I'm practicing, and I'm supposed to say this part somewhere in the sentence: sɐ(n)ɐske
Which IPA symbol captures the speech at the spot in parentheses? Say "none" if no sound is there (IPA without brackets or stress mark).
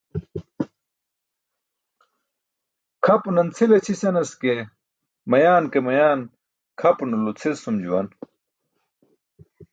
n